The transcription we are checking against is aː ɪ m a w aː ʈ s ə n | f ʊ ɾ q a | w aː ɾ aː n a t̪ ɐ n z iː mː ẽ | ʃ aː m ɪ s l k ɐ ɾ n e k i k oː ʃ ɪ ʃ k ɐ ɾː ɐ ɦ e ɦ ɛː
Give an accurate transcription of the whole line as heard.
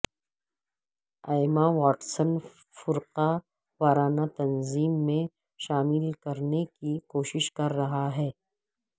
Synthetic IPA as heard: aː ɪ m a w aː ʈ s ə n | f ʊ ɾ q a | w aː ɾ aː n a t̪ ɐ n z iː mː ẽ | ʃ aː m ɪ l k ɐ ɾ n e k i k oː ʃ ɪ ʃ k ɐ ɾː ɐ ɦ a ɦ ɛː